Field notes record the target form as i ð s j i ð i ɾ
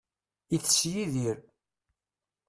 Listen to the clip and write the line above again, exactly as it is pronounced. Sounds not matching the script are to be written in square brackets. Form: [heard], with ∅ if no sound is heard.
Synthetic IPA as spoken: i [θ] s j i ð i ɾ